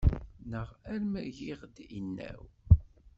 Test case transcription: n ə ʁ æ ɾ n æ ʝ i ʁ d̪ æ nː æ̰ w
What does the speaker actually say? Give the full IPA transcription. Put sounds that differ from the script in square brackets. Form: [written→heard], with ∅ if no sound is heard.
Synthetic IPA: n ə ʁ æ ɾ [n→m] æ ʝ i ʁ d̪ [æ→i] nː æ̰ w